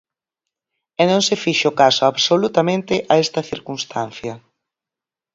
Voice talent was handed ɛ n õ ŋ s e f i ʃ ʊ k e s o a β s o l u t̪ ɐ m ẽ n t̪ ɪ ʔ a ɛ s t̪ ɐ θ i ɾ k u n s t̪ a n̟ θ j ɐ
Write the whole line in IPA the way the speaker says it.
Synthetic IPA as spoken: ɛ n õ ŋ s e f i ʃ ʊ k a s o a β s o l u t̪ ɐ m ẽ n t̪ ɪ ʔ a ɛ s t̪ ɐ θ i ɾ k u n s t̪ a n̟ θ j ɐ